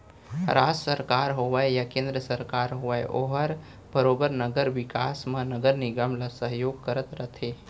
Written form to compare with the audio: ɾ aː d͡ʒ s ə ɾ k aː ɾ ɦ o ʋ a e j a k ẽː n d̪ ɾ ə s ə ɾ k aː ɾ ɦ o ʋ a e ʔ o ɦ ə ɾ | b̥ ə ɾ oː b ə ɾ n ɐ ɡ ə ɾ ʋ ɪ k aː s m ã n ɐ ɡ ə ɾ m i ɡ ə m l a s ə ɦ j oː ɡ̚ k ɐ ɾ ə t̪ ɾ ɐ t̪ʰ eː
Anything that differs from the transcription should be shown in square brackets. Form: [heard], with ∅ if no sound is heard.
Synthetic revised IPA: ɾ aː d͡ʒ s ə ɾ k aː ɾ ɦ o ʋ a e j a k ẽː n d̪ ɾ ə s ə ɾ k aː ɾ ɦ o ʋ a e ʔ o ɦ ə ɾ | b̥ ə ɾ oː b ə ɾ n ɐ ɡ ə ɾ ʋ ɪ k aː s m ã n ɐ ɡ ə ɾ [n] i ɡ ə m l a s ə ɦ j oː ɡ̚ k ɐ ɾ ə t̪ ɾ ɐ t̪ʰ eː